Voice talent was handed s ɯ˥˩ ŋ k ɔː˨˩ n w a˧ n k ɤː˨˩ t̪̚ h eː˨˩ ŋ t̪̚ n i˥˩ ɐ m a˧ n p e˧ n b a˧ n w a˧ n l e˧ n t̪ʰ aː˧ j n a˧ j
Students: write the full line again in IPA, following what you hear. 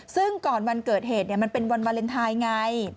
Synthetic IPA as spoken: s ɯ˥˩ ŋ k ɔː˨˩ n w a˧ n k ɤː˨˩ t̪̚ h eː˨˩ t̪̚ n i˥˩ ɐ m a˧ n p e˧ n w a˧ n w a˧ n l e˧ n t̪ʰ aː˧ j ŋ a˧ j